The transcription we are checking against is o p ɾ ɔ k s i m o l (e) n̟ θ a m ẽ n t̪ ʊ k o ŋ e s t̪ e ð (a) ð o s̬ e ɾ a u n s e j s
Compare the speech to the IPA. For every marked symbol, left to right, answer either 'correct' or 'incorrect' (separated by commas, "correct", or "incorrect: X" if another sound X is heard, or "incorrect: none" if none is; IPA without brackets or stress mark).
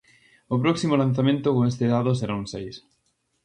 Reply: incorrect: a, correct